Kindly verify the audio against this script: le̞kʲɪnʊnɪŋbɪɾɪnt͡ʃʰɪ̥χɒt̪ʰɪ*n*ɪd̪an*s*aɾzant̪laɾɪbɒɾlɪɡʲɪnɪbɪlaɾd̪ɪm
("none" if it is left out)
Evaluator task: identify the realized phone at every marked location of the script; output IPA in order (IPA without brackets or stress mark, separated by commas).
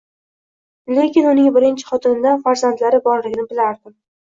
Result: n, f